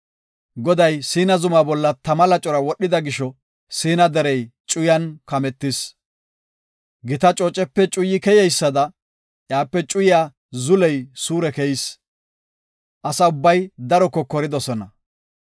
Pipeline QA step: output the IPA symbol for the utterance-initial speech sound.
ɡ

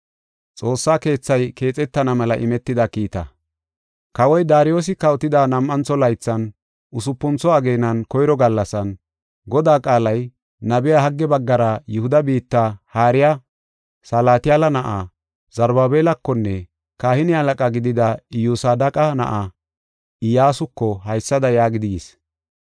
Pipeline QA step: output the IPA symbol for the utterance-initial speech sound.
t͡sʼ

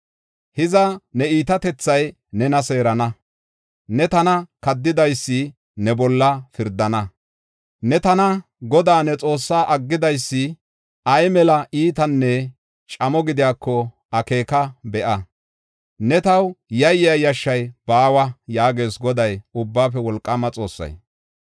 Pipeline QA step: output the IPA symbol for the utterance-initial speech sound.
h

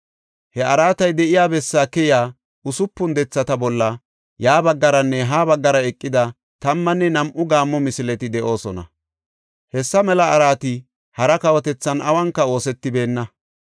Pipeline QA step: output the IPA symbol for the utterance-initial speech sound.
h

